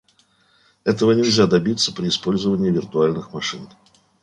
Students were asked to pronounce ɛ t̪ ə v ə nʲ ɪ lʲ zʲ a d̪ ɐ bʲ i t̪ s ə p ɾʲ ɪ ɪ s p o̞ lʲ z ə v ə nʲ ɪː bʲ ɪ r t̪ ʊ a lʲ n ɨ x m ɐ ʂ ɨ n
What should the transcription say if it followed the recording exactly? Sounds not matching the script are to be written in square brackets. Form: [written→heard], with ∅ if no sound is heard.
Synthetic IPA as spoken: ɛ t̪ ə v ə nʲ ɪ lʲ zʲ a d̪ ɐ bʲ i t̪ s ə p ɾʲ ɪ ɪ s p o̞ lʲ z ə v ə nʲ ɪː [bʲ→vʲ] ɪ r t̪ ʊ a lʲ n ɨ x m ɐ ʂ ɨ n